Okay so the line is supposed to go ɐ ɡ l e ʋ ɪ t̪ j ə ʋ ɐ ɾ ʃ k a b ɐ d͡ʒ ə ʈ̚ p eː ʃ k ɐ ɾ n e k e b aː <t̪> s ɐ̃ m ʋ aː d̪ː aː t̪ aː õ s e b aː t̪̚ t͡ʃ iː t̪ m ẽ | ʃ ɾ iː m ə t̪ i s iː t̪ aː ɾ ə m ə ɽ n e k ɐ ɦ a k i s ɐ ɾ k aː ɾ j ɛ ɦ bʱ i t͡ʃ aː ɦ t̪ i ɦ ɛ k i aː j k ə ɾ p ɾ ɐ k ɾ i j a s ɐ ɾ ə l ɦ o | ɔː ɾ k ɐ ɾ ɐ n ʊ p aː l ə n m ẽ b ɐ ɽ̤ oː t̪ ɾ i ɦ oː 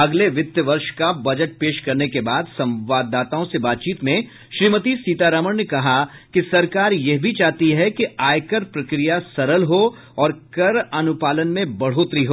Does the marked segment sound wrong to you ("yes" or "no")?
yes